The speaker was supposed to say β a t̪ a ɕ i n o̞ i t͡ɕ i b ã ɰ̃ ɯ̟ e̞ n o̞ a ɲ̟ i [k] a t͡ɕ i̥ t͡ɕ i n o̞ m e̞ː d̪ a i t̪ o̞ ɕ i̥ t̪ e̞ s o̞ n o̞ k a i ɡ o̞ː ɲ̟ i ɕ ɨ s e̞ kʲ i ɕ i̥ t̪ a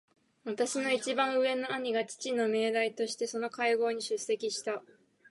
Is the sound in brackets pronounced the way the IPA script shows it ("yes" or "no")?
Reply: no